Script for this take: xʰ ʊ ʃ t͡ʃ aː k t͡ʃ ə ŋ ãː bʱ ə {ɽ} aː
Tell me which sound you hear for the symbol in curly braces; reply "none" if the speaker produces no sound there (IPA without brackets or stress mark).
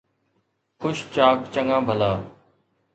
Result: l